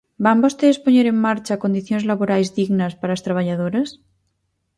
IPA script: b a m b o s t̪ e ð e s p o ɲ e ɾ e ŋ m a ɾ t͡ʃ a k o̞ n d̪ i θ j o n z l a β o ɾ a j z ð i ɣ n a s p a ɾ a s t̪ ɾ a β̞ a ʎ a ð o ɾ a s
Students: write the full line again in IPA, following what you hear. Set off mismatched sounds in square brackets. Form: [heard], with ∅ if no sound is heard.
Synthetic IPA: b a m b o s t̪ e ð e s p o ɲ e ɾ e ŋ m a ɾ t͡ʃ a k o̞ n d̪ i θ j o n z l a β o ɾ a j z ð i ɣ n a s p a ɾ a s t̪ ɾ a β̞ a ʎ a ð o ɾ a s